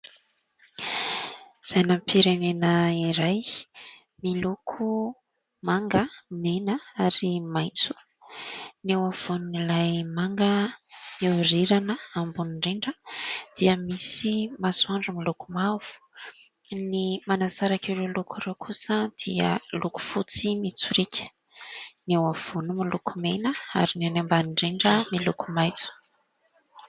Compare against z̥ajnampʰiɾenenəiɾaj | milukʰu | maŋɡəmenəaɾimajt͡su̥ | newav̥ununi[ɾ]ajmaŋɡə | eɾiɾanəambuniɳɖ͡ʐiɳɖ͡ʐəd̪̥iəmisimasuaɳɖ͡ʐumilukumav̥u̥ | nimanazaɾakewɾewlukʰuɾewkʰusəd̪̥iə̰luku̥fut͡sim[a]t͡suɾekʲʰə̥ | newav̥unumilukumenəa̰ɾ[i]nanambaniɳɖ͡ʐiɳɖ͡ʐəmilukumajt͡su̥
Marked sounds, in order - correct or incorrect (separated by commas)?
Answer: incorrect, incorrect, correct